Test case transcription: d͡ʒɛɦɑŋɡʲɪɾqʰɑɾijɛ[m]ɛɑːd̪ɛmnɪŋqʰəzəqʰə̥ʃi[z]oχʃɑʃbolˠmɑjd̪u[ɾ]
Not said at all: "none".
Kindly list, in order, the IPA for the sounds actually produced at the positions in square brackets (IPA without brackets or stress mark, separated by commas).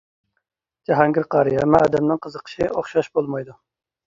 m, none, none